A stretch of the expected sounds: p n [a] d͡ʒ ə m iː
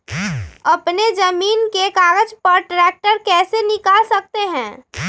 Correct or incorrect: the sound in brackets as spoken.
incorrect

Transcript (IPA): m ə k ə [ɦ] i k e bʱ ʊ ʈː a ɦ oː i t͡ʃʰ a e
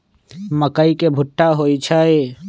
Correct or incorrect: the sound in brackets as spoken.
incorrect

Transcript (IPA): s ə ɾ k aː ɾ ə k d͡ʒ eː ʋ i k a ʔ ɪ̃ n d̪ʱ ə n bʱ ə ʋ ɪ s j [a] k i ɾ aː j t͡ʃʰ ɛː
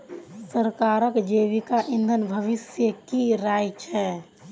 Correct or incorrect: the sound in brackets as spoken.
incorrect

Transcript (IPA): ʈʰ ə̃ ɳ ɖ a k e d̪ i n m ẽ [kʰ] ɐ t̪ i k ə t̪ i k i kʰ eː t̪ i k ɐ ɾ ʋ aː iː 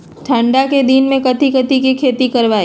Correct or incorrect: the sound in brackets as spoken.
incorrect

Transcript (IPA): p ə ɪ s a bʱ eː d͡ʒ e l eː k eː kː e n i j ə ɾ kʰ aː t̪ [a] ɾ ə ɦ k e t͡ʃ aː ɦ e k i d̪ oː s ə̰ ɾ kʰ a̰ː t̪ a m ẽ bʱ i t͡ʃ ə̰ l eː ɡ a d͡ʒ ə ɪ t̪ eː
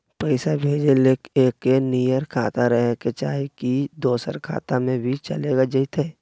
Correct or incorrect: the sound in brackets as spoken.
correct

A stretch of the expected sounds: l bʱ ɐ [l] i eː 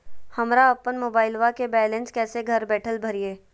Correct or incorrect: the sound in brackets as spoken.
incorrect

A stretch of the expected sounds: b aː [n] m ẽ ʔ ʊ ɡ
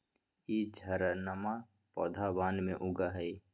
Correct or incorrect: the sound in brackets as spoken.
correct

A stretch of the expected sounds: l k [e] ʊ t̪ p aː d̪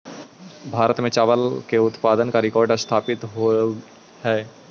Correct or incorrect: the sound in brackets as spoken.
correct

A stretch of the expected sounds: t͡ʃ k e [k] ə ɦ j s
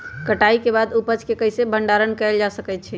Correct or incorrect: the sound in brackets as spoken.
correct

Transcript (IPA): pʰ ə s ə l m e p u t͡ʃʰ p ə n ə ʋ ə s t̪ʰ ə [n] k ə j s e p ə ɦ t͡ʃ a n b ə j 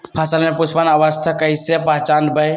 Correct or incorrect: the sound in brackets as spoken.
incorrect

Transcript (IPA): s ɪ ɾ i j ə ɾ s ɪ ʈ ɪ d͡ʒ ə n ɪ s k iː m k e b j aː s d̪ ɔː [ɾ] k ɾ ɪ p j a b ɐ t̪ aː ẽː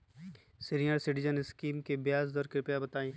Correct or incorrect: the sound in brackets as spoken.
correct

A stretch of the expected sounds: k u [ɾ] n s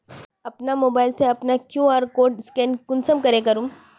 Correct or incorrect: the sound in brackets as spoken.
incorrect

